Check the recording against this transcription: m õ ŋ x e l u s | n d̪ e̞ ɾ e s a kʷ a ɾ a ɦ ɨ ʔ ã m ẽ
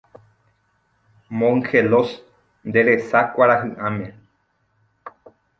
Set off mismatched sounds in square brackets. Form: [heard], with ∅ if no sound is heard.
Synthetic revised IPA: m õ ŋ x e l [o] s | n d̪ e̞ ɾ e s a kʷ a ɾ a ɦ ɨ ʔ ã m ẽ